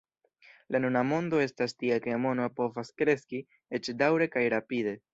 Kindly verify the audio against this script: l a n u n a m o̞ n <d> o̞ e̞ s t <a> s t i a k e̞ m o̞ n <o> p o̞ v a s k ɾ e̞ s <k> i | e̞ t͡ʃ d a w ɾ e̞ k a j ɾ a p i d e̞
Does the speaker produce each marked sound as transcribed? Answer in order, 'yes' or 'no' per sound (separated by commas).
yes, yes, yes, yes